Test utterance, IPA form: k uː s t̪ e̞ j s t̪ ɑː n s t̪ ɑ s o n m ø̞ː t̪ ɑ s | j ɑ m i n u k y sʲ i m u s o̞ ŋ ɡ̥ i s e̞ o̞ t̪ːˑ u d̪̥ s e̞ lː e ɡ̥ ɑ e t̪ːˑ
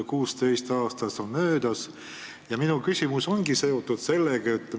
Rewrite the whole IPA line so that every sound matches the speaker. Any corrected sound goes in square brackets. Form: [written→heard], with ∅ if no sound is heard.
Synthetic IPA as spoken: k uː s t̪ e̞ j s t̪ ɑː [n→∅] s t̪ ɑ s o n m ø̞ː [t̪→d̪] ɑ s | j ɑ m i n u k y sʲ i m u s o̞ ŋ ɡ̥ i s e̞ o̞ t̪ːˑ u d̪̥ s e̞ lː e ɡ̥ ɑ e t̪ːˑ